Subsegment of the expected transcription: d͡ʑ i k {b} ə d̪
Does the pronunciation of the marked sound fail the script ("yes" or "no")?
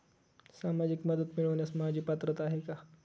yes